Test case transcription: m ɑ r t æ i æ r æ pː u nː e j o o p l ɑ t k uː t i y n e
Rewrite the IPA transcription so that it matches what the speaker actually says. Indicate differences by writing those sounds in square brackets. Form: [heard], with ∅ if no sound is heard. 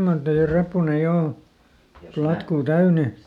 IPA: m ɑ r t [e] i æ r [e] pː u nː e j o o p l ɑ t k uː t [æ] y n e